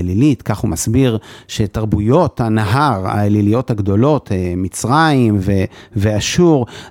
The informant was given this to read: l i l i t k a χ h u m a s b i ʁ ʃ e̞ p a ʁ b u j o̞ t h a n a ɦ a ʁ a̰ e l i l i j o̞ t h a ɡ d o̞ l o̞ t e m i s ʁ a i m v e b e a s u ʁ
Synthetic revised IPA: l i l i t k a χ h u m a s b i ʁ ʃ e̞ t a ʁ b u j o̞ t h a n a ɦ a ʁ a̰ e l i l i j o̞ t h a ɡ d o̞ l o̞ t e m i t͡s ʁ a i m v e v e a ʃ u ʁ